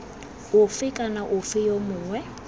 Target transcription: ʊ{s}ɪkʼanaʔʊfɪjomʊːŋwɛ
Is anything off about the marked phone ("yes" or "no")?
yes